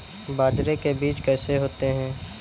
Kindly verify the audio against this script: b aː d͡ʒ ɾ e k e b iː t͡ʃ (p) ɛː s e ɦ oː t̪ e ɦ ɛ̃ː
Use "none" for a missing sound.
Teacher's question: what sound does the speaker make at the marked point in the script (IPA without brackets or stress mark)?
k